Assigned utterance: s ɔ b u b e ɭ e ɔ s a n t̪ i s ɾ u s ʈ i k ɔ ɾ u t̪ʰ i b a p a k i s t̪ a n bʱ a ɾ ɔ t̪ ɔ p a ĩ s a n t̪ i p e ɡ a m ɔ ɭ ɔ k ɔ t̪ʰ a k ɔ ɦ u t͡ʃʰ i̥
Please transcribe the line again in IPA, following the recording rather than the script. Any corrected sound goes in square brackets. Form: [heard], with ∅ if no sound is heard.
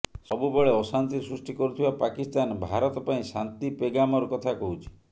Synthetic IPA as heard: s ɔ b u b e ɭ e ɔ s a n t̪ i s ɾ u s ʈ i k ɔ ɾ u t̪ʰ i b a p a k i s t̪ a n bʱ a ɾ ɔ t̪ ɔ p a ĩ s a n t̪ i p e ɡ a m ɔ [ɾ] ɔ k ɔ t̪ʰ a k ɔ ɦ u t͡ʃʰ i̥

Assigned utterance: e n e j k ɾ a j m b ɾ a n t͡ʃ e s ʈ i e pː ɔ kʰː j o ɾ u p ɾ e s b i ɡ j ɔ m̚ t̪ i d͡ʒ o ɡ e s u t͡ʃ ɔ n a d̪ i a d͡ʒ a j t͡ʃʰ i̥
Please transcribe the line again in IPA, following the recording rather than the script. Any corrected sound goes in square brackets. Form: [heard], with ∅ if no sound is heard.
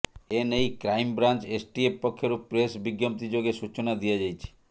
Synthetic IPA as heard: e n e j k ɾ a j m b ɾ a n t͡ʃ e s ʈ i e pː ɔ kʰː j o ɾ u p ɾ e s b i ɡ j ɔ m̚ t̪ i d͡ʒ o ɡ e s u t͡ʃ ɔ n a d̪ i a d͡ʒ a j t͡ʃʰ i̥

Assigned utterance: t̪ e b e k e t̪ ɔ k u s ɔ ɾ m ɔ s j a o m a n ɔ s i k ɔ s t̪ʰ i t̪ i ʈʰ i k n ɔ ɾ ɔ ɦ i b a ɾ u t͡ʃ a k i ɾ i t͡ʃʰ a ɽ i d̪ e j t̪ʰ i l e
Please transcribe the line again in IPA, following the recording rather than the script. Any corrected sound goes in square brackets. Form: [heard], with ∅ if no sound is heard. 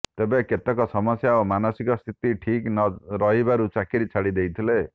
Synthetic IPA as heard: t̪ e b e k e t̪ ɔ k [ɔ] s ɔ [∅] m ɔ s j a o m a n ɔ s i k ɔ s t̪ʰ i t̪ i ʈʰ i k n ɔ ɾ ɔ ɦ i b a ɾ u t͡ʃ a k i ɾ i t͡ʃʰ a ɽ i d̪ e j t̪ʰ i l e

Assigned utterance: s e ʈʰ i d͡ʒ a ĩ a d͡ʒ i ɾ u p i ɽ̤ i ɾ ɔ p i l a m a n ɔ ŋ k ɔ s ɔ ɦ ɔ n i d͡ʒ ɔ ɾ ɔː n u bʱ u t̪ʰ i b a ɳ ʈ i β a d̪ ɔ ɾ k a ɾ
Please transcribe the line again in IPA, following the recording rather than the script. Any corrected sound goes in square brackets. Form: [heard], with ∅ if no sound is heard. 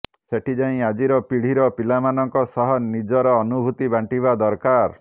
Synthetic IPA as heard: s e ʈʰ i d͡ʒ a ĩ a d͡ʒ i ɾ [ɔ] p i ɽ̤ i ɾ ɔ p i l a m a n ɔ ŋ k ɔ s ɔ ɦ ɔ n i d͡ʒ ɔ ɾ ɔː n u bʱ u [t̪] i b a ɳ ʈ i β a d̪ ɔ ɾ k a ɾ

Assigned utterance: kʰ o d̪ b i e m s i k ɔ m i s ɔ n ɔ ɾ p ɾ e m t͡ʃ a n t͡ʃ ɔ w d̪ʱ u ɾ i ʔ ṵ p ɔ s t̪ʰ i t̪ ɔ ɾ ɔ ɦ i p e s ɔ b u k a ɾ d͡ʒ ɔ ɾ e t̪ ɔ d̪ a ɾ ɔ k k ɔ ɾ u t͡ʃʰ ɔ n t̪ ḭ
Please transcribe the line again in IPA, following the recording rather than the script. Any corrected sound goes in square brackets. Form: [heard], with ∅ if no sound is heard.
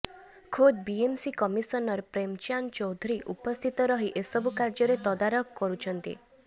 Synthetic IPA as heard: kʰ o d̪ b i e m s i k ɔ m i s ɔ n ɔ ɾ p ɾ e m t͡ʃ a n t͡ʃ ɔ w d̪ʱ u ɾ i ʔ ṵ p ɔ s t̪ʰ i t̪ ɔ ɾ ɔ ɦ i [ʔ] e s ɔ b u k a ɾ d͡ʒ ɔ ɾ e t̪ ɔ d̪ a ɾ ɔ k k ɔ ɾ u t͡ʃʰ ɔ n t̪ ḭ

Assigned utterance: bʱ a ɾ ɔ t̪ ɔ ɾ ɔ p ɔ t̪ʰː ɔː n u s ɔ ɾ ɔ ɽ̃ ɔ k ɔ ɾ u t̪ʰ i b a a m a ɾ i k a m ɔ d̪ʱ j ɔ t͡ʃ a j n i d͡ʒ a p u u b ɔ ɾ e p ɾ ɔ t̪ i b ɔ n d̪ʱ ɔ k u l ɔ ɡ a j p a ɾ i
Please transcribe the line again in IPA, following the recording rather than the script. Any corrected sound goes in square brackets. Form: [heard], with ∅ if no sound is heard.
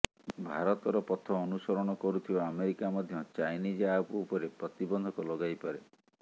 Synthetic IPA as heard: bʱ a ɾ ɔ t̪ ɔ ɾ ɔ p ɔ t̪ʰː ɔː n u s ɔ ɾ ɔ ɽ̃ ɔ k ɔ ɾ u t̪ʰ i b a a m [e] ɾ i k a m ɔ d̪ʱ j ɔ t͡ʃ a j n i d͡ʒ a p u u [p] ɔ ɾ e p ɾ ɔ t̪ i b ɔ n d̪ʱ ɔ k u l ɔ ɡ a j p a ɾ [e]

